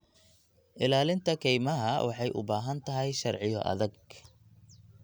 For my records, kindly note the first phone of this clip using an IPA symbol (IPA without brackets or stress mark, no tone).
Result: ʔ